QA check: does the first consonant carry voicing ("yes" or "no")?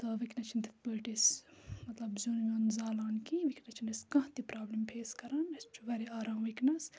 no